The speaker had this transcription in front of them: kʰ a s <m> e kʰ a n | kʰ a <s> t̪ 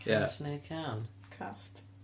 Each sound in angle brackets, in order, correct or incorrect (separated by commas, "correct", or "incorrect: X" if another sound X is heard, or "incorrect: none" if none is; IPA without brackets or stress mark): incorrect: n, correct